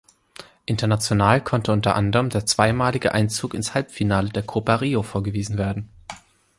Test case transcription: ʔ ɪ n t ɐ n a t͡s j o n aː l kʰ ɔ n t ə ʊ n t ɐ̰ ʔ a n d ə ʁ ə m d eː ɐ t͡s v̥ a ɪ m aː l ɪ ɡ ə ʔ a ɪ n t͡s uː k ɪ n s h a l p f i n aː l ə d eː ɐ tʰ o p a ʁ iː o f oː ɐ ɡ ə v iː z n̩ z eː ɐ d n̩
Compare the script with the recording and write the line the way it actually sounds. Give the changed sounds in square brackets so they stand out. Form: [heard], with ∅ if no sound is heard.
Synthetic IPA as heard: ʔ ɪ n t ɐ n a t͡s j o n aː l kʰ ɔ n t ə ʊ n t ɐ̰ ʔ a n d ə ʁ ə m d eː ɐ t͡s v̥ a ɪ m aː l ɪ ɡ ə ʔ a ɪ n t͡s uː k ɪ n s h a l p f i n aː l ə d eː ɐ [kʰ] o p a ʁ iː o f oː ɐ ɡ ə v iː z n̩ [v] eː ɐ d n̩